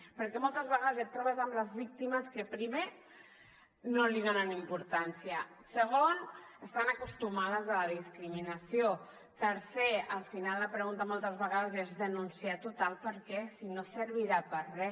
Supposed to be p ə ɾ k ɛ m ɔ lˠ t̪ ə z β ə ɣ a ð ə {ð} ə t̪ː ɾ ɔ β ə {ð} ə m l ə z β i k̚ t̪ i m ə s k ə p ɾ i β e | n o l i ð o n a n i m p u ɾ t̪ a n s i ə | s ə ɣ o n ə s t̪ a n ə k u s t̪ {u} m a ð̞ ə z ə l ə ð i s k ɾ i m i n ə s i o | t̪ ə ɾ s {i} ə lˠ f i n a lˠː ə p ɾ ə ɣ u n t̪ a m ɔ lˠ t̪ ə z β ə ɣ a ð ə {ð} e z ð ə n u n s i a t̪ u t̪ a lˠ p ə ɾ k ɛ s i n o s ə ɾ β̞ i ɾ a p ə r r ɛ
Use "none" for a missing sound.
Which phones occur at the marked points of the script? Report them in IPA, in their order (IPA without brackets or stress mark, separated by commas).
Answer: z, z, u, e, z